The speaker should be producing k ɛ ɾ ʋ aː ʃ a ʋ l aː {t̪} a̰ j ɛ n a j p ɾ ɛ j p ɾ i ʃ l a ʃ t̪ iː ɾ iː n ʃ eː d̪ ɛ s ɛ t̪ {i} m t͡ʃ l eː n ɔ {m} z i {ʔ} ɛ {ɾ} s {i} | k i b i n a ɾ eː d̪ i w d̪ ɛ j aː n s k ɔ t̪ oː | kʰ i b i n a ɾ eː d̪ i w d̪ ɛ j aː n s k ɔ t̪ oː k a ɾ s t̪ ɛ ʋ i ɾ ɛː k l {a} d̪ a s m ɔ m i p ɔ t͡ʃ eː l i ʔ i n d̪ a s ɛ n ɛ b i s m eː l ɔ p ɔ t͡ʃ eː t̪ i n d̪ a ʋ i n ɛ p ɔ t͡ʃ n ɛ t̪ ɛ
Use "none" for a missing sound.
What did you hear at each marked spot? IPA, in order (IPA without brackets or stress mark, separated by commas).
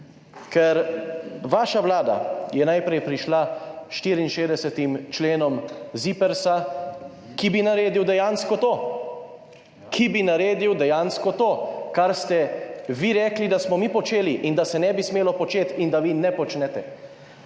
d̪, i, m, p, ɾ, a, i